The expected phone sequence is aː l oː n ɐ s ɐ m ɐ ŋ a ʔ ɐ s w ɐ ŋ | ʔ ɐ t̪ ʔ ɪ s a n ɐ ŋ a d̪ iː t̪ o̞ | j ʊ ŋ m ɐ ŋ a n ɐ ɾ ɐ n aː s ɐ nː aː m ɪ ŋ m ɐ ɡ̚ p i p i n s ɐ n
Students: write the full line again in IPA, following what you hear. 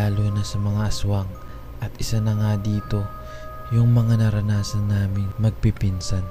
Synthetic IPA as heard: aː l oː n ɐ s ɐ m ɐ ŋ a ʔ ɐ s w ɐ ŋ | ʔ ɐ t̪ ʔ ɪ s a n ɐ ŋ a d̪ iː t̪ o̞ | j ʊ ŋ m ɐ ŋ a n ɐ ɾ ɐ n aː s ɐ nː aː m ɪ n m ɐ ɡ̚ p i p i n s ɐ n